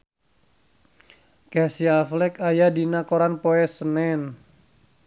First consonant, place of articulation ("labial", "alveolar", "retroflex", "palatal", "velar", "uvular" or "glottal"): velar